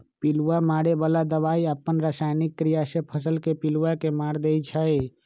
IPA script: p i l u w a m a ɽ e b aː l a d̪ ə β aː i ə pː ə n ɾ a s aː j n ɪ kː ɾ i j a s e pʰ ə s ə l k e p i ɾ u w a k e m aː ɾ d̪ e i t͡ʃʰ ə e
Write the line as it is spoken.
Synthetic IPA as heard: p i l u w a m a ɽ e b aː l a d̪ ə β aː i ə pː ə n ɾ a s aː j n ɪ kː ɾ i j a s e pʰ ə s ə l k e p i l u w a k e m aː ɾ d̪ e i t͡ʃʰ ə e